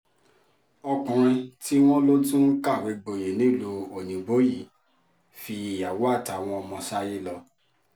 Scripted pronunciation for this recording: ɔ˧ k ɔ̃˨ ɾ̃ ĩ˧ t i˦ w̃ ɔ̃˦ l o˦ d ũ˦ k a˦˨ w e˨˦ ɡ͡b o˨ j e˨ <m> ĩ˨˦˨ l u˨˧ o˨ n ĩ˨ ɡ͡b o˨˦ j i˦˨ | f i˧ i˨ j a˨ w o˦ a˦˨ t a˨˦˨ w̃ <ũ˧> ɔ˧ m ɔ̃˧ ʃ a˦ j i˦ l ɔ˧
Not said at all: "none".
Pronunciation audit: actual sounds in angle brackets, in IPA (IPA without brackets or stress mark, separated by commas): n, ɔ̃˧